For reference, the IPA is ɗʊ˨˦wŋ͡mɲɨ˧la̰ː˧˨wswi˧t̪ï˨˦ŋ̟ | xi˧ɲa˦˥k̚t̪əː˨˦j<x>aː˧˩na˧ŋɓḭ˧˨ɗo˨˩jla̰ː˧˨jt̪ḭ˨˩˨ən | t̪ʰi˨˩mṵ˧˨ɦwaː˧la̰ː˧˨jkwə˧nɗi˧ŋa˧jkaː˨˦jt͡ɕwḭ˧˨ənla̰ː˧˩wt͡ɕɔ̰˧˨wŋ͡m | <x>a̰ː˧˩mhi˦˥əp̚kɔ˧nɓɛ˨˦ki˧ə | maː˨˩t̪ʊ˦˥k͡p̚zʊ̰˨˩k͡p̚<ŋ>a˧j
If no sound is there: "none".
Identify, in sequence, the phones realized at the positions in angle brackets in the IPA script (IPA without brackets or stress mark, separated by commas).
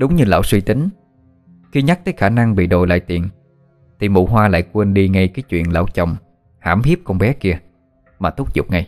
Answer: x, h, ŋ